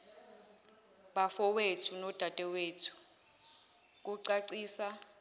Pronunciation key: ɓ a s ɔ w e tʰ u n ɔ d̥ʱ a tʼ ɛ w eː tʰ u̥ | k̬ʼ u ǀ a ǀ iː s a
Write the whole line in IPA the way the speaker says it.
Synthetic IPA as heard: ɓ a f ɔ w e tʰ u n ɔ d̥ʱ a tʼ ɛ w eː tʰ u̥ | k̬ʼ u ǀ a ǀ iː s a